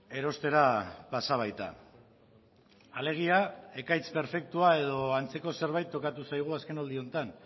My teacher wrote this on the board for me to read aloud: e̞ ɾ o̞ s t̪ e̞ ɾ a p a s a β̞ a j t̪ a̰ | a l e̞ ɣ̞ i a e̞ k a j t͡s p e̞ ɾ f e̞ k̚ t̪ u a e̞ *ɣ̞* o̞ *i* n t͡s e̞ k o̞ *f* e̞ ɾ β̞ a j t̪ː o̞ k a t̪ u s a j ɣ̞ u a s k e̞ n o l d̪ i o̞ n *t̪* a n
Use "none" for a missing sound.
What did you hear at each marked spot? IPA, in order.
ð̞, a, s, t̪

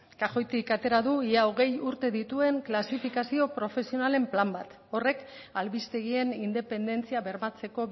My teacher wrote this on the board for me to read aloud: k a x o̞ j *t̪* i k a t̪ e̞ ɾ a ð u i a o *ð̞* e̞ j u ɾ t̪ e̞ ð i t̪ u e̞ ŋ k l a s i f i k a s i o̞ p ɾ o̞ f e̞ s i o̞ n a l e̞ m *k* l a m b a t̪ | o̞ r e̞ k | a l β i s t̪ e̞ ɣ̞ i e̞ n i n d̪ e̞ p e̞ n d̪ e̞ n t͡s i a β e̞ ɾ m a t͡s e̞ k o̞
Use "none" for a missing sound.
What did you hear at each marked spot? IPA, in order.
t̪, ɣ̞, p

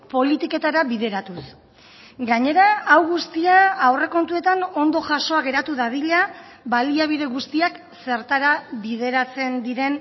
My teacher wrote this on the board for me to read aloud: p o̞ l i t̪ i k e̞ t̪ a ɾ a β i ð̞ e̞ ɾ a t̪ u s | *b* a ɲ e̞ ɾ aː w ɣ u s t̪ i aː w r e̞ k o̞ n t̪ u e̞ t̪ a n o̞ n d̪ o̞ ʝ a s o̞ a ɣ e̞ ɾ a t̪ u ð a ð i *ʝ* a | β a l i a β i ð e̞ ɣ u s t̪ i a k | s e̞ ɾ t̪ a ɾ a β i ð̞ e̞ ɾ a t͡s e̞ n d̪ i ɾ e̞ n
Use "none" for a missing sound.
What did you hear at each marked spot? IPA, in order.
ɡ, ʎ

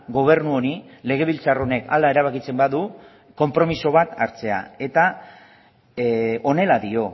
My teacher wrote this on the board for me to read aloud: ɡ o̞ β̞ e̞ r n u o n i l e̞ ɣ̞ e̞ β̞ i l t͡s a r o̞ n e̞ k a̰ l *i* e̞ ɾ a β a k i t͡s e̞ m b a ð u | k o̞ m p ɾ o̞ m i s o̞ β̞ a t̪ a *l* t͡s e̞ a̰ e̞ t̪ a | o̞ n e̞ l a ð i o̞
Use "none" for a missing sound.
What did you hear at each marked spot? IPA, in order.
a, ɾ

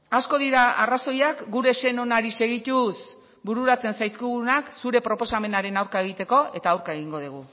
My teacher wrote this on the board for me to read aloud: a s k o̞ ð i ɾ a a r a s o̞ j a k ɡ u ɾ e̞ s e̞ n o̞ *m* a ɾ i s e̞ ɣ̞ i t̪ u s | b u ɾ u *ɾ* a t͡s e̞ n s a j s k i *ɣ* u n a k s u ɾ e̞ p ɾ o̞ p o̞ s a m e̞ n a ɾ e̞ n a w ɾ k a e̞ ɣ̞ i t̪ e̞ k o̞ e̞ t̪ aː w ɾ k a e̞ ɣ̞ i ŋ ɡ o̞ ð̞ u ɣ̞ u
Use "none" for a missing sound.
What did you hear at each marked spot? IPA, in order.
n, ɾ, ɣ

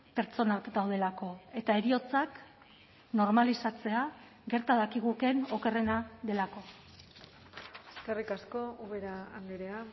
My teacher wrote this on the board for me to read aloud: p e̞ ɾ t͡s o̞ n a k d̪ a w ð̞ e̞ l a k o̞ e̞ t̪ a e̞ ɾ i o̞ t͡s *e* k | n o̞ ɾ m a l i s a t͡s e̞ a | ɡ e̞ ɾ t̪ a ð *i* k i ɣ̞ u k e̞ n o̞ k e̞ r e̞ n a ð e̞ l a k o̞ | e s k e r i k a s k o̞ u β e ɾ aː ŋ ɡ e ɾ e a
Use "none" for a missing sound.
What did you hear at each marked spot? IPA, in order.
a, a

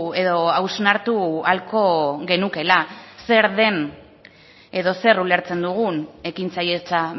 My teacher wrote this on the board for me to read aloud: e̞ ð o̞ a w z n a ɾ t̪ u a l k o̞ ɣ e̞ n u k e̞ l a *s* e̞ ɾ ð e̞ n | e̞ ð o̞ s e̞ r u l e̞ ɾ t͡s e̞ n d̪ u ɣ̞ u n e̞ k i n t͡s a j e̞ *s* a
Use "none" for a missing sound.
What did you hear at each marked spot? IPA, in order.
s, t͡s

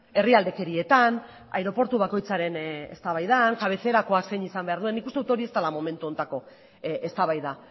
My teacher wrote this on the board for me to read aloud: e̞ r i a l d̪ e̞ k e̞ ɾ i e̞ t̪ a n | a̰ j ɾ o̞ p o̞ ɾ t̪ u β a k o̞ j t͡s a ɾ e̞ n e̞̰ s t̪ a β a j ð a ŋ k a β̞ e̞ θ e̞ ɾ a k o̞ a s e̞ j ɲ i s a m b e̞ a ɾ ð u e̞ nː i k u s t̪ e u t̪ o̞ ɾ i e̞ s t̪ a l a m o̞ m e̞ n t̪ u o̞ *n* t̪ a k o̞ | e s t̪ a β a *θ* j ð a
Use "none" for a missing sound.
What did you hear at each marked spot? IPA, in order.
n, none

